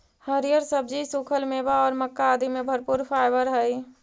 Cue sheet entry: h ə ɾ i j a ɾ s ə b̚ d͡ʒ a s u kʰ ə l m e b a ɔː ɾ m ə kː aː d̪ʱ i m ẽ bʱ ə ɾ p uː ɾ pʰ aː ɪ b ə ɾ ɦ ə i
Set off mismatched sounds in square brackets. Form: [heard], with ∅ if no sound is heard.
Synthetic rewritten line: h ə ɾ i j [ə] ɾ s ə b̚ d͡ʒ [i] s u kʰ ə l m e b a ɔː ɾ m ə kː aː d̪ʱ i m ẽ bʱ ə ɾ p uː ɾ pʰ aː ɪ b ə ɾ ɦ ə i